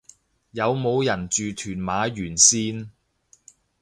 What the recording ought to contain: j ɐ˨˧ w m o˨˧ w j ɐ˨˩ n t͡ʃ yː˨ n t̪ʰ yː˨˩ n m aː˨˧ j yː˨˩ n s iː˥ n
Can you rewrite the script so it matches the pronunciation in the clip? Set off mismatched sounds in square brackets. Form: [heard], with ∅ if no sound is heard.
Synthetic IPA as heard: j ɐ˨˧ w m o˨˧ w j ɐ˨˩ n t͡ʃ yː˨ [∅] t̪ʰ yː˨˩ n m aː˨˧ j yː˨˩ n s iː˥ n